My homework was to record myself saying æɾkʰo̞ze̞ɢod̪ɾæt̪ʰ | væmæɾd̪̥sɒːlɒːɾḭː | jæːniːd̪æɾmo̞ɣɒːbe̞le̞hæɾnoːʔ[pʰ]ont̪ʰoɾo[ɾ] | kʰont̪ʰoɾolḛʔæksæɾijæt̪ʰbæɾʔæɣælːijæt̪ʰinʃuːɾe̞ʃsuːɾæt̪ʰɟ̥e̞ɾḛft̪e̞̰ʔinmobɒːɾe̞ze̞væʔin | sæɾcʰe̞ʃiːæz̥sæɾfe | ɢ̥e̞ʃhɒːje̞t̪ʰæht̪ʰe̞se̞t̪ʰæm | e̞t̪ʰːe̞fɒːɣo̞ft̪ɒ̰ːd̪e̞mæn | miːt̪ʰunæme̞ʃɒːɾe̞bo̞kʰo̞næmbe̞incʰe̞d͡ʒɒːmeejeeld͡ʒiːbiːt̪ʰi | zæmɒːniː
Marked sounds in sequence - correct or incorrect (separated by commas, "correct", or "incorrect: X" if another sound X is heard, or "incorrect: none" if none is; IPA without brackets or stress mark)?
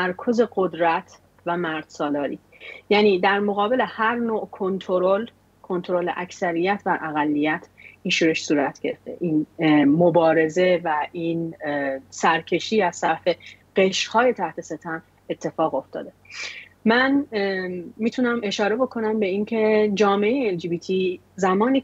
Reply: incorrect: kʰ, incorrect: l